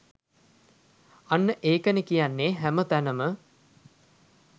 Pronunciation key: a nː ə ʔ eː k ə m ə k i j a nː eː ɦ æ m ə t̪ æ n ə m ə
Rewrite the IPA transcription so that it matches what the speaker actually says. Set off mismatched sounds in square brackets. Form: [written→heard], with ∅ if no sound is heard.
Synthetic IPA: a nː ə ʔ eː k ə [m→n] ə k i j a nː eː ɦ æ m ə t̪ æ n ə m ə